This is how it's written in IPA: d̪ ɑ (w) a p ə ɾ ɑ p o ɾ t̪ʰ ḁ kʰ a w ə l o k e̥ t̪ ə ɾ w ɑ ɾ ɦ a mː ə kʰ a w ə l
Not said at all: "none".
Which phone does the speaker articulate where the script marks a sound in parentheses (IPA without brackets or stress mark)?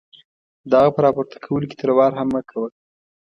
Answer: ɣ